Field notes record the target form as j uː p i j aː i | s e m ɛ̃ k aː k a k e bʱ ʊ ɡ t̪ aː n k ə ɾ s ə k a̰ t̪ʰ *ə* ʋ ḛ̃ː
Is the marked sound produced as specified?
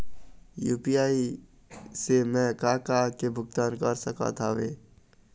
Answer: no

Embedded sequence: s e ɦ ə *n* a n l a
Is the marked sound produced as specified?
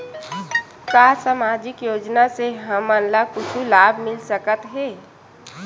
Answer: no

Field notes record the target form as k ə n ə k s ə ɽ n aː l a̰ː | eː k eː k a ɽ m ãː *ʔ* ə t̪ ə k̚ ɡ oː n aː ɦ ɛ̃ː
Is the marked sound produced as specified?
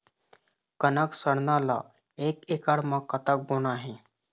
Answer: no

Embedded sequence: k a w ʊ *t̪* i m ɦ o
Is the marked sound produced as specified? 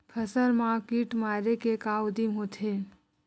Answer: no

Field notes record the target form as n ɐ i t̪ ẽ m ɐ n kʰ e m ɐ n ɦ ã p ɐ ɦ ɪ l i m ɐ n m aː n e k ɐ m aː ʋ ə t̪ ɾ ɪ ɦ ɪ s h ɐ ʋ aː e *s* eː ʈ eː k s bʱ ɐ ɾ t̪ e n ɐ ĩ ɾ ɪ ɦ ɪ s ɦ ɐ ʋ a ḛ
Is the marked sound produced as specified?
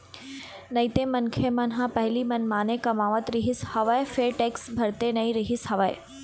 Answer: no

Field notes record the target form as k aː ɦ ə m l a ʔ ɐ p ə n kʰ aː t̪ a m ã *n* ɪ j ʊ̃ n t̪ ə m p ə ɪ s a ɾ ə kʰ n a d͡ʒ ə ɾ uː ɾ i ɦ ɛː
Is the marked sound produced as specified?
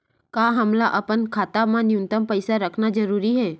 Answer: yes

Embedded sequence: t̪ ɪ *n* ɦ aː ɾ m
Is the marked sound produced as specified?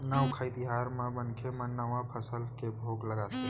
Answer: no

